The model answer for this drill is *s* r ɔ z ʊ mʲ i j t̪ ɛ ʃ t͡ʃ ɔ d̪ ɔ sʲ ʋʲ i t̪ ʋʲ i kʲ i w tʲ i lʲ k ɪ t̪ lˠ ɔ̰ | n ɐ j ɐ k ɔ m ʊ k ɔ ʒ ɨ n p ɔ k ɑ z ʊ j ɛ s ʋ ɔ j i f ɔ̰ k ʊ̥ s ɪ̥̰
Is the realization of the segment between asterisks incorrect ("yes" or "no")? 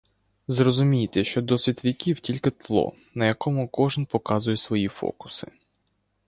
yes